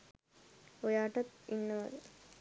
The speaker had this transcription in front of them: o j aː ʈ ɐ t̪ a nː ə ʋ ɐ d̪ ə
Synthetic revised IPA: o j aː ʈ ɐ t̪ i nː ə ʋ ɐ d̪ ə